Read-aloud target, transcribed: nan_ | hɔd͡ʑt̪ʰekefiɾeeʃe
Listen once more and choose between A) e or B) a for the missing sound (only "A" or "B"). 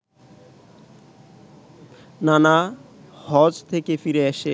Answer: B